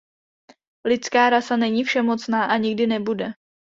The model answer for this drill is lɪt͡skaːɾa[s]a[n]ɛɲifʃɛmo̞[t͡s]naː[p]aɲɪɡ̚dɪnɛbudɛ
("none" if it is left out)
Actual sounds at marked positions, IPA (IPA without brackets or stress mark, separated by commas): s, n, t͡s, ʔ